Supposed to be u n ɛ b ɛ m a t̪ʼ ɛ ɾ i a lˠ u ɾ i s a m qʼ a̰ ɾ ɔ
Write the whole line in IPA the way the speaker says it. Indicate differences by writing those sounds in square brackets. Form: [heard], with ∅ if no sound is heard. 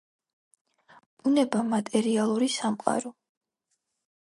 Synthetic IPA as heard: u n ɛ b [a] m a t̪ʼ ɛ ɾ i a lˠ u ɾ i s a m qʼ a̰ ɾ ɔ